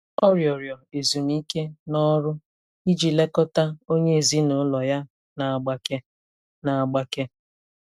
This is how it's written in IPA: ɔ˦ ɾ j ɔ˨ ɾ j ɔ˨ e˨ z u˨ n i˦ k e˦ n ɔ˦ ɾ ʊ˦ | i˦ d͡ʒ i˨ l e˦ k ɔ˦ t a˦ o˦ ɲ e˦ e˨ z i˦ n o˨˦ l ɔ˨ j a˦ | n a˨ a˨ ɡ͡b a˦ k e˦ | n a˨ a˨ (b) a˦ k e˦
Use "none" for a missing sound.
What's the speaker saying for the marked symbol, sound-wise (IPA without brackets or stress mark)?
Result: ɡ͡b